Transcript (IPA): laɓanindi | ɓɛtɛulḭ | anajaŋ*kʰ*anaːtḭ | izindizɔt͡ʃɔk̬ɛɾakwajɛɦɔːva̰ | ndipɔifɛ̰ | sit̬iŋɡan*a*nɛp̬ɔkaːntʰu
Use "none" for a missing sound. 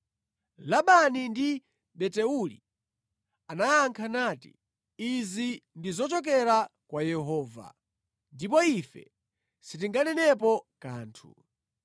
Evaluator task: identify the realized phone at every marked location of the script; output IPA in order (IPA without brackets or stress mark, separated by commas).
kʰ, ɛ